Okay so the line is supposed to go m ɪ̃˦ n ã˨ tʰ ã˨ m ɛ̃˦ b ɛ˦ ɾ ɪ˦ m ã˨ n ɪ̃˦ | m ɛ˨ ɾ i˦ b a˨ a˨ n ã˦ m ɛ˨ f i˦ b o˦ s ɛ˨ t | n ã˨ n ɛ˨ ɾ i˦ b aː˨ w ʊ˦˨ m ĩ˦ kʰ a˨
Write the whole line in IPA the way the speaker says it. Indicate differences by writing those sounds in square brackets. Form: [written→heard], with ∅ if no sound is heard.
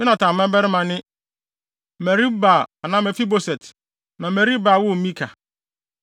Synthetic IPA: m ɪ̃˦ n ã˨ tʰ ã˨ m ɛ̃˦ b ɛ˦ ɾ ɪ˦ m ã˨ n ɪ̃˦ | m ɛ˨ ɾ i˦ b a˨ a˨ n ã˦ m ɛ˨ f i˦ b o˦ s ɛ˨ t | n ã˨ [n→m] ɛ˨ ɾ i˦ b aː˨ w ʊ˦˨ m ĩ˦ kʰ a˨

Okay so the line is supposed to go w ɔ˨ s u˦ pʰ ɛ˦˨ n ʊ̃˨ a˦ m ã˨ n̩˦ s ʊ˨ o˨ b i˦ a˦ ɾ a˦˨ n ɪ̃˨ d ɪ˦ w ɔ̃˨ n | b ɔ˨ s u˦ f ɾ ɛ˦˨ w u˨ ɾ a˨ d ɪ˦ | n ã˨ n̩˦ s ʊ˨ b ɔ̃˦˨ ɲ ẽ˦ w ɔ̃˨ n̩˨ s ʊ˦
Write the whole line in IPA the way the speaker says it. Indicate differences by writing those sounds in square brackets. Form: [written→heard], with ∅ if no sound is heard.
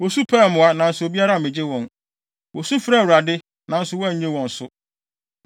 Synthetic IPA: w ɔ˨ s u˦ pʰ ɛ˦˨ [n→m] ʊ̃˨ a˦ [m→n] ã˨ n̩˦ s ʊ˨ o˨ b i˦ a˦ ɾ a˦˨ [n→m] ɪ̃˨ [d→d͡ʑ] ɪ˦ w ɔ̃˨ n | [b→w] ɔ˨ s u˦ f ɾ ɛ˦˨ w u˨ ɾ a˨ d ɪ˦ | n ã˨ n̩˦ s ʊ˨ [b→w] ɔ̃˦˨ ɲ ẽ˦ w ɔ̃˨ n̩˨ s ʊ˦

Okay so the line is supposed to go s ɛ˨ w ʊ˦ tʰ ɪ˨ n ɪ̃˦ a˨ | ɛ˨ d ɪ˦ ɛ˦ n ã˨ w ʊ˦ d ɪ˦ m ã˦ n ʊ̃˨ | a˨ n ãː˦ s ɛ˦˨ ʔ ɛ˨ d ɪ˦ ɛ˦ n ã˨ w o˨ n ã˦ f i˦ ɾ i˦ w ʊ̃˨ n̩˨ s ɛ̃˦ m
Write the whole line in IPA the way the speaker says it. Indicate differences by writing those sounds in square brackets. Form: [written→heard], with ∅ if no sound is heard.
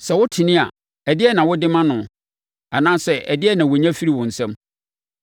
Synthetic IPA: s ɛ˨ w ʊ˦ tʰ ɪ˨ n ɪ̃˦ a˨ | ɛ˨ d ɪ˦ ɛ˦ n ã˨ w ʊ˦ d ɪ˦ m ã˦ n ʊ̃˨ | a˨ n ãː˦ s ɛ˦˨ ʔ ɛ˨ d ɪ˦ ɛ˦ n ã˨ w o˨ [n→ɲ] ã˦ f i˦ ɾ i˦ w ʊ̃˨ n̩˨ s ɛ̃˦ m

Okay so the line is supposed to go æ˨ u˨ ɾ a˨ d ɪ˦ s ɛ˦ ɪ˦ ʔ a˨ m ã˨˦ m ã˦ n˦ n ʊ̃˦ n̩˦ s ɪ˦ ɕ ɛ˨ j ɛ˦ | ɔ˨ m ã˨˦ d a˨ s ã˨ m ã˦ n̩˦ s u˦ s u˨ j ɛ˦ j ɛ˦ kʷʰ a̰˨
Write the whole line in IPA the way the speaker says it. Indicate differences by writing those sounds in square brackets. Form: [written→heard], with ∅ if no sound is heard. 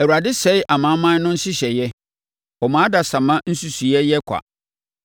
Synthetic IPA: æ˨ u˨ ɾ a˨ d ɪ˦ s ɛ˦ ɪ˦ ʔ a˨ m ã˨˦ m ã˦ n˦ n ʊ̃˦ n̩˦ s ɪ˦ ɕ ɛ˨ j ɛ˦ | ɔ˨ m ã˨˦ d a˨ s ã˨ m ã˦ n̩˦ s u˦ s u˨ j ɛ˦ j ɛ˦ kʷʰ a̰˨

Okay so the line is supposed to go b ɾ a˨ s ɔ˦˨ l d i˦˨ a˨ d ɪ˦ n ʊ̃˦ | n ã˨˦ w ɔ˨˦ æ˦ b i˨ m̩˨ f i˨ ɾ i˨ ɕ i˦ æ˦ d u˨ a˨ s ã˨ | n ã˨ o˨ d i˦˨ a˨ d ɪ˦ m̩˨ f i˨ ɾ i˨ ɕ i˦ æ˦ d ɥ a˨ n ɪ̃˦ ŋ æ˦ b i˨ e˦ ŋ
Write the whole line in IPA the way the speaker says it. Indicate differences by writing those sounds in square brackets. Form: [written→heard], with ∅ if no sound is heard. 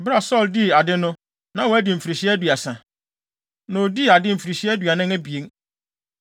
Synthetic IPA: b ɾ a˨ s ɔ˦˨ l d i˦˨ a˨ d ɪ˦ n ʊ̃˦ | n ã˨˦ w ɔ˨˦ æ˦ [b→d] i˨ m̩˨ f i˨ ɾ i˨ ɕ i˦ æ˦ d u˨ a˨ s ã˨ | n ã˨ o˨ d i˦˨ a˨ d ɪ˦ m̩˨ f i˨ ɾ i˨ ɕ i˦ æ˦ d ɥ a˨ n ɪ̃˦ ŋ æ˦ b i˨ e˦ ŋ

